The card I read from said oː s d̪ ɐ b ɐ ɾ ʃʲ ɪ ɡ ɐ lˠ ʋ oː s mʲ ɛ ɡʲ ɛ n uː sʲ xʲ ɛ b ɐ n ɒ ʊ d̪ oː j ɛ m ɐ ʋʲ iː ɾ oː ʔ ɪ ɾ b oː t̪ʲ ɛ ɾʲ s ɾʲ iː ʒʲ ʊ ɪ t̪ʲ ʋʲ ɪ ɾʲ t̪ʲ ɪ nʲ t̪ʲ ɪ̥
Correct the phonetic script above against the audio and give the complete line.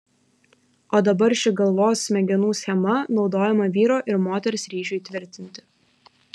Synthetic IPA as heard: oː d̪ ɐ b ɐ ɾ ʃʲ ɪ ɡ ɐ lˠ ʋ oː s mʲ ɛ ɡʲ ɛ n uː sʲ xʲ ɛ m ɐ n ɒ ʊ d̪ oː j ɛ m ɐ ʋʲ iː ɾ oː ʔ ɪ ɾ m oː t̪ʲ ɛ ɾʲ s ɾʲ iː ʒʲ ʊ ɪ t̪ʲ ʋʲ ɪ ɾʲ t̪ʲ ɪ nʲ t̪ʲ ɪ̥

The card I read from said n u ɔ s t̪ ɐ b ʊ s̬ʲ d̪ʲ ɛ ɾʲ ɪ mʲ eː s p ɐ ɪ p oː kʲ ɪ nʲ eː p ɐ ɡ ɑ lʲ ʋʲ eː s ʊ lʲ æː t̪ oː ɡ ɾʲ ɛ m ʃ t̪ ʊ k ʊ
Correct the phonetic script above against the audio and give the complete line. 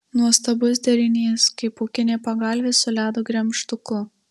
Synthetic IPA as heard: n u ɔ s t̪ ɐ b ʊ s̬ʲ d̪ʲ ɛ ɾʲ ɪ nʲ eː s k ɐ ɪ p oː kʲ ɪ nʲ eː p ɐ ɡ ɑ lʲ ʋʲ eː s ʊ lʲ æː d̪ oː ɡ ɾʲ ɛ m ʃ t̪ ʊ k ʊ

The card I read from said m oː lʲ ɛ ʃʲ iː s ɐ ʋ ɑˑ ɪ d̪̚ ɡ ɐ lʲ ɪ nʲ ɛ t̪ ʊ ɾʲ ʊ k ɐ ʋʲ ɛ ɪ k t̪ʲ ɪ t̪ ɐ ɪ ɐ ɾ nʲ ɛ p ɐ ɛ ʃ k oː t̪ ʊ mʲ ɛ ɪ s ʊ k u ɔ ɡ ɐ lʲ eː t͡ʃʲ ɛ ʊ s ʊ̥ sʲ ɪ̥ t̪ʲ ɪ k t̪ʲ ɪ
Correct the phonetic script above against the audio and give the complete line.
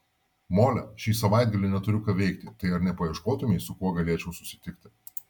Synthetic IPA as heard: m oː lʲ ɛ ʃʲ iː s ɐ ʋ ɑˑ ɪ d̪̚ ɡ ɐ lʲ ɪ nʲ ɛ t̪ ʊ ɾʲ ʊ k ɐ ʋʲ ɛ ɪ k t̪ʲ ɪ t̪ ɐ ɪ ɐ ɾ nʲ ɛ p ɐ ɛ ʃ k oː t̪ ʊ mʲ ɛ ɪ s ʊ k u ɔ ɡ ɐ lʲ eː t͡ʃʲ ɛ ʊ s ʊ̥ sʲ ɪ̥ t̪ʲ ɪ k t̪ʲ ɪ

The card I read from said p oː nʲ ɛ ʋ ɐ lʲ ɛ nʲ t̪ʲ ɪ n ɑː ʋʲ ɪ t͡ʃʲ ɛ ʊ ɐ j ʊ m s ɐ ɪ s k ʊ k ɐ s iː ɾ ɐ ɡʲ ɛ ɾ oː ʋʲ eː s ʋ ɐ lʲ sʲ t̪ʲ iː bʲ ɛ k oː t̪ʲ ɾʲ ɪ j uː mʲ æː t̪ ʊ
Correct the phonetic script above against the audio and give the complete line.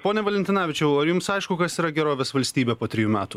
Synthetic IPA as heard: p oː nʲ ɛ ʋ ɐ lʲ ɛ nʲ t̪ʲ ɪ n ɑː ʋʲ ɪ t͡ʃʲ ɛ ʊ ɐ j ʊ m s ɐ ɪ ʃ k ʊ k ɐ s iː ɾ ɐ ɡʲ ɛ ɾ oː ʋʲ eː s ʋ ɐ lʲ sʲ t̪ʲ iː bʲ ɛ p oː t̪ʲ ɾʲ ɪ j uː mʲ æː t̪ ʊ

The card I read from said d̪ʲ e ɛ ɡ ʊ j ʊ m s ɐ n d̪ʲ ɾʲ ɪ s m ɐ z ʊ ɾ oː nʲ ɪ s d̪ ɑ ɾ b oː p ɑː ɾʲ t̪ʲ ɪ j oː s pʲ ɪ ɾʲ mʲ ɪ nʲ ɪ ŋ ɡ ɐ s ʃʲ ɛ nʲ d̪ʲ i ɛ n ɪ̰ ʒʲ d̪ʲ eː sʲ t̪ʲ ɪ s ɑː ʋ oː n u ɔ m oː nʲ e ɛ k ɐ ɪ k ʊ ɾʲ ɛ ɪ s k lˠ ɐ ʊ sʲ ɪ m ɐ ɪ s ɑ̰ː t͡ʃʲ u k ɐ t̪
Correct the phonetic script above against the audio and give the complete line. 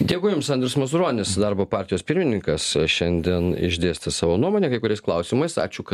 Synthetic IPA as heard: d̪ʲ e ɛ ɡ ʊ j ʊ m s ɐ n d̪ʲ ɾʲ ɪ s m ɐ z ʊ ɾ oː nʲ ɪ s d̪ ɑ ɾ b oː p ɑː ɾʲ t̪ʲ ɪ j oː s pʲ ɪ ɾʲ mʲ ɪ nʲ ɪ ŋ k ɐ s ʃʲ ɛ nʲ d̪ʲ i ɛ n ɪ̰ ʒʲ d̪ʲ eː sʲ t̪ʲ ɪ s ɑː ʋ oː n u ɔ m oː nʲ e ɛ k ɐ ɪ k ʊ ɾʲ ɛ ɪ s k lˠ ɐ ʊ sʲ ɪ m ɐ ɪ s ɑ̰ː t͡ʃʲ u k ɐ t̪

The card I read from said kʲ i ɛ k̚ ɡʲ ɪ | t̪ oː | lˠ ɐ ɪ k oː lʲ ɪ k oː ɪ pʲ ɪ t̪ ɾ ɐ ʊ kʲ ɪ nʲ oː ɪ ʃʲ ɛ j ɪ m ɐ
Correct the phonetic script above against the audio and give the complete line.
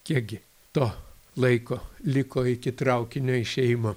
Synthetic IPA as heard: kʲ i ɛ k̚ ɡʲ ɪ | t̪ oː | lˠ ɐ ɪ k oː lʲ ɪ k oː ɪ kʲ ɪ t̪ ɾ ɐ ʊ kʲ ɪ nʲ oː ɪ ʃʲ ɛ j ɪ m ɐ

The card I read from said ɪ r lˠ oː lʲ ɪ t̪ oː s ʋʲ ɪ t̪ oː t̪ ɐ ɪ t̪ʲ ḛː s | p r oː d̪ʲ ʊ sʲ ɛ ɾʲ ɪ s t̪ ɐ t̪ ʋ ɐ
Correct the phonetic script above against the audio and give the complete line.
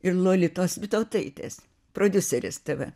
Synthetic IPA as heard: ɪ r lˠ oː lʲ ɪ t̪ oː s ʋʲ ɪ t̪ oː t̪ ɐ ɪ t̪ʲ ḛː s | p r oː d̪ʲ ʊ sʲ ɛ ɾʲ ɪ s t̪ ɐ ʋ ɐ

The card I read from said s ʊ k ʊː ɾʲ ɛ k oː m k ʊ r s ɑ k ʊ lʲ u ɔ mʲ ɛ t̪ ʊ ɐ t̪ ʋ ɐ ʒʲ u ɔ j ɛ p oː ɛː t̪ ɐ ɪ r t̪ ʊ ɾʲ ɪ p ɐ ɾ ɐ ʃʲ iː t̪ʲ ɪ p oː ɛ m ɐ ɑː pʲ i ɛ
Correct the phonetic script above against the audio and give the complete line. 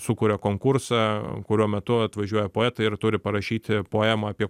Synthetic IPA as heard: s ʊ k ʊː ɾʲ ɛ k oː ŋ k ʊ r s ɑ k ʊ ɾʲ u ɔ mʲ ɛ t̪ ʊ ɐ t̪ ʋ ɐ ʒʲ u ɔ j ɛ p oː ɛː t̪ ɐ ɪ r t̪ ʊ ɾʲ ɪ p ɐ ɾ ɐ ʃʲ iː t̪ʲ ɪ p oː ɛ m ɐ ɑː pʲ i ɛ

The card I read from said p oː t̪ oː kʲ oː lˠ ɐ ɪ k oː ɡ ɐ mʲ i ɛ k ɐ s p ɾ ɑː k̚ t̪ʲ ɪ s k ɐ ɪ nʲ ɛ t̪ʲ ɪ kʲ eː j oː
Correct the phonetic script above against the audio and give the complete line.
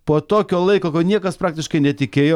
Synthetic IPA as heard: p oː t̪ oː kʲ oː lˠ ɐ ɪ k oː k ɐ nʲ i ɛ k ɐ s p ɾ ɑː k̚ t̪ʲ ɪ ʃ k ɐ ɪ nʲ ɛ t̪ʲ ɪ kʲ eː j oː

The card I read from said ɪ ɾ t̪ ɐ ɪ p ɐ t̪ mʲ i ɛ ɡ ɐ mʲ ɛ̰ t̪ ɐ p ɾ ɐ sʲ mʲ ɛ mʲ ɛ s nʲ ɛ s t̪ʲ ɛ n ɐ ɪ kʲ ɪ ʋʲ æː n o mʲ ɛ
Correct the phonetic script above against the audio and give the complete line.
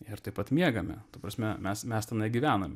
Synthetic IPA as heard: ɪ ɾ t̪ ɐ ɪ p ɐ t̪ mʲ i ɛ ɡ ɐ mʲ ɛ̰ t̪ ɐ p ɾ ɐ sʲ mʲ ɛ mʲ ɛ s mʲ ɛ s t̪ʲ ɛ n ɐ ɪ ɡʲ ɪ ʋʲ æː n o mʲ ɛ

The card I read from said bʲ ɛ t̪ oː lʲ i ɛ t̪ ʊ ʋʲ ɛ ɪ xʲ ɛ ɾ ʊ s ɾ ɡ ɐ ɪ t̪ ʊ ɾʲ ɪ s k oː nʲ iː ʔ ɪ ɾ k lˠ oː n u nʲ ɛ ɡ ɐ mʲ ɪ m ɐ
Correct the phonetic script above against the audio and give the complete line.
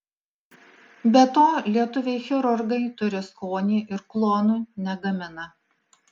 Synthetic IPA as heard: bʲ ɛ t̪ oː lʲ i ɛ t̪ ʊ ʋʲ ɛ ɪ xʲ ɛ ɾ ʊ ɾ ɡ ɐ ɪ t̪ ʊ ɾʲ ɪ s k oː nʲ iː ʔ ɪ ɾ k lˠ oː n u nʲ ɛ ɡ ɐ mʲ ɪ n ɐ

